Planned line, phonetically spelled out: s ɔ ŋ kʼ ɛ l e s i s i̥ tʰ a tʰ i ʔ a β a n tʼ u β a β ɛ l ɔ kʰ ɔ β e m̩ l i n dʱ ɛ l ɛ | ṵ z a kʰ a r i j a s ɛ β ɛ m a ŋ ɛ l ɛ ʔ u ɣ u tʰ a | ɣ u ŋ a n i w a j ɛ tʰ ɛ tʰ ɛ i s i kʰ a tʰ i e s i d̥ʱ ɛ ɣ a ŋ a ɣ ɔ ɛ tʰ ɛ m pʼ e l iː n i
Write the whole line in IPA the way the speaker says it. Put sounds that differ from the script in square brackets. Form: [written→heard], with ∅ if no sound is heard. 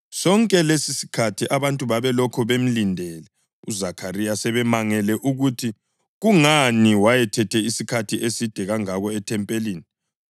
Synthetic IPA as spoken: s ɔ ŋ kʼ ɛ l e s i s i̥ [tʰ→kʰ] a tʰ i ʔ a β a n tʼ u β a β ɛ l ɔ kʰ ɔ β e m̩ l i n dʱ ɛ l ɛ | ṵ z a kʰ a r i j a s ɛ β ɛ m a ŋ ɛ l ɛ ʔ u ɣ u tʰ [a→i] | ɣ u ŋ a n i w a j ɛ tʰ ɛ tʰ ɛ i s i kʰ a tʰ i e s i d̥ʱ ɛ ɣ a ŋ a ɣ ɔ ɛ tʰ ɛ m pʼ e l iː n i

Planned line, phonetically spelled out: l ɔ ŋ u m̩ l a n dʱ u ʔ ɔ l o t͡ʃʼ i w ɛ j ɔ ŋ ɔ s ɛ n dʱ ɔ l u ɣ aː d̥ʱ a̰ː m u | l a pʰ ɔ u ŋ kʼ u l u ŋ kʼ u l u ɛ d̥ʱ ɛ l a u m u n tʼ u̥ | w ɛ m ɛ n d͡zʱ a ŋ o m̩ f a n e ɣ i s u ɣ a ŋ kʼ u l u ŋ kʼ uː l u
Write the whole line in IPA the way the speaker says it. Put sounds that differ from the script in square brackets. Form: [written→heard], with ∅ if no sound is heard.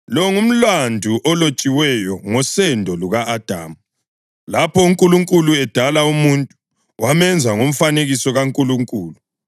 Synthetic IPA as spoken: l ɔ ŋ u m̩ l a n dʱ u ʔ ɔ l o t͡ʃʼ i w ɛ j ɔ ŋ ɔ s ɛ n dʱ ɔ l u ɣ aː d̥ʱ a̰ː m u | l a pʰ ɔ u ŋ kʼ u l u ŋ kʼ u l u ɛ d̥ʱ [ɛ→a] l a u m u n tʼ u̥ | w [ɛ→a] m ɛ n d͡zʱ a ŋ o m̩ f a n e ɣ i s [u→ɔ] ɣ a ŋ kʼ u l u ŋ kʼ uː l u

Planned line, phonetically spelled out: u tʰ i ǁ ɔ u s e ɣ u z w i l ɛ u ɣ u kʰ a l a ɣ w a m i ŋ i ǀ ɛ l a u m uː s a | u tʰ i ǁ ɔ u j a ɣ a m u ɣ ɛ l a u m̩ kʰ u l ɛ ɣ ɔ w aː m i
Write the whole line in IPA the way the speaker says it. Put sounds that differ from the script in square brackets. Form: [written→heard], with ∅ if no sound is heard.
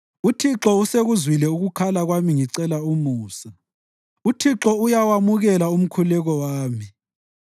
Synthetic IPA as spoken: u tʰ i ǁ ɔ u s e ɣ u z w i l ɛ u ɣ u kʰ a l a ɣ w a m i ŋ i ǀ ɛ l a u m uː s a | u tʰ i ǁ ɔ u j a [ɣ→w] a m u ɣ ɛ l a u m̩ kʰ u l ɛ ɣ ɔ w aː m i

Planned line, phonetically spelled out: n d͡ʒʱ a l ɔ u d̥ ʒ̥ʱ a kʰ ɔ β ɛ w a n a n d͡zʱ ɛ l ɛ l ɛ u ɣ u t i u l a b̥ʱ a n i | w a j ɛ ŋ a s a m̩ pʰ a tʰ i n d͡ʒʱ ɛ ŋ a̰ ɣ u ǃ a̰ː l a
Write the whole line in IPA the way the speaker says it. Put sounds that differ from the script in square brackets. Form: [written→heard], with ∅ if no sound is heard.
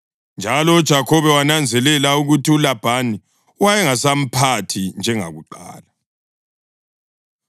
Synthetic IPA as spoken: n d͡ʒʱ a l ɔ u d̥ ʒ̥ʱ a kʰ ɔ β ɛ w a n a n d͡zʱ ɛ l ɛ l [ɛ→a] u ɣ u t i u l a b̥ʱ a n i | w a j ɛ ŋ a s a m̩ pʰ a tʰ i n d͡ʒʱ ɛ ŋ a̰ ɣ u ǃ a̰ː l a

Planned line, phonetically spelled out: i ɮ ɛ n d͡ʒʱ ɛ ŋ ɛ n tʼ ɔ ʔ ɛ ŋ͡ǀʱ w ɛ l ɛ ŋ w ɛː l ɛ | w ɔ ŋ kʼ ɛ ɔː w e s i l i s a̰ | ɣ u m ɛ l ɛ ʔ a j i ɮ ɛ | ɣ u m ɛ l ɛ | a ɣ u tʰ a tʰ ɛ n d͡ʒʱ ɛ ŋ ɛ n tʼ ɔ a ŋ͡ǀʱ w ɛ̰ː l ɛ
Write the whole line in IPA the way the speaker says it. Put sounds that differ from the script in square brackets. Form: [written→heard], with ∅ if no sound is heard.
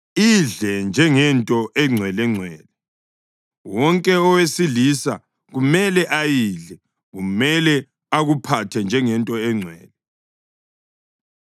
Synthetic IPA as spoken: i ɮ ɛ n d͡ʒʱ ɛ ŋ ɛ n tʼ ɔ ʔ ɛ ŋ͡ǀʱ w ɛ l ɛ [ŋ→ŋ͡ǀʱ] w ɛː l ɛ | w ɔ ŋ kʼ ɛ [ɔː→ɔ] w e s i l i s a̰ | ɣ u m ɛ l ɛ ʔ a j i ɮ ɛ | ɣ u m ɛ l ɛ | a ɣ u [tʰ→pʰ] a tʰ ɛ n d͡ʒʱ ɛ ŋ ɛ n tʼ ɔ [a→ɛ] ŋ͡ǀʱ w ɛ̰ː l ɛ

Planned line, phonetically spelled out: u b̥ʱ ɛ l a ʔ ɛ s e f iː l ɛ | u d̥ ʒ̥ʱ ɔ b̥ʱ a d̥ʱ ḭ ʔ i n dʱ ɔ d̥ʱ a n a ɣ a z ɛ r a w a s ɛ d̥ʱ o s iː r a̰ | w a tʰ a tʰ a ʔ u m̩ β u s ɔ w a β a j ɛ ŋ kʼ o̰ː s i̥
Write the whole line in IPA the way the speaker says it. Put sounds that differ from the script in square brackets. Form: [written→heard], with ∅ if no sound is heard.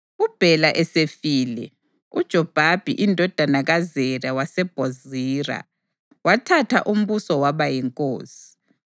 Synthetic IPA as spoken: u b̥ʱ ɛ l a ʔ ɛ s e f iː l ɛ | u d̥ ʒ̥ʱ ɔ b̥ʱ a [d̥ʱ→b̥ʱ] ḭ ʔ i n dʱ ɔ d̥ʱ a n a ɣ a z ɛ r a w a s ɛ [d̥ʱ→b̥ʱ] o [s→z] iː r a̰ | w a tʰ a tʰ a ʔ u m̩ β u s ɔ w a β a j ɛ ŋ kʼ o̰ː s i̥

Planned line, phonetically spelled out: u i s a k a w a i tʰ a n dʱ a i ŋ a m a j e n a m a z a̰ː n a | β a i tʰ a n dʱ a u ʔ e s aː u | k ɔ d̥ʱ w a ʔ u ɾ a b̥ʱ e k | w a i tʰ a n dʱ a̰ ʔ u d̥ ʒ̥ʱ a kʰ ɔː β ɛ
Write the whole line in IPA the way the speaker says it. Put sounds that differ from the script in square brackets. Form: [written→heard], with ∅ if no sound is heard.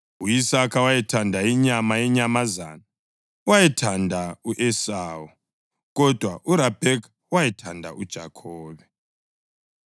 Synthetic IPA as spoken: u i s a k a w a i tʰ a n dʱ a i [ŋ→ɲ] a m a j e [n→ɲ] a m a z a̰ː n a | [β→w] a i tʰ a n dʱ a u ʔ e s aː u | k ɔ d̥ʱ w a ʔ u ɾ a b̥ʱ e k | w a i tʰ a n dʱ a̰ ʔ u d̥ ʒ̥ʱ a kʰ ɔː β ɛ

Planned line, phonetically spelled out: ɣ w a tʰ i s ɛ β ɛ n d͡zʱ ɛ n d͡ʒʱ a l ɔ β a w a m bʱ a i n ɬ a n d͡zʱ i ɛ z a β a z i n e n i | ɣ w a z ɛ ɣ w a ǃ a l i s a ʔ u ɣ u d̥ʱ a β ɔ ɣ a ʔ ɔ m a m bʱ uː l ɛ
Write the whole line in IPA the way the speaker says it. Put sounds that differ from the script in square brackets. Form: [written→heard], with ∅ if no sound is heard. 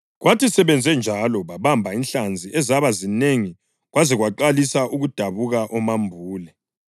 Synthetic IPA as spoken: ɣ w a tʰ i s ɛ β ɛ n d͡zʱ ɛ n d͡ʒʱ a l ɔ β a [w→β] a m bʱ a i n ɬ a n d͡zʱ i ɛ z a β a z i n e [n→ŋ] i | ɣ w a z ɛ ɣ w a ǃ a l i s a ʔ u ɣ u d̥ʱ a β [ɔ→u] ɣ a ʔ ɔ m a m bʱ uː l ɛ

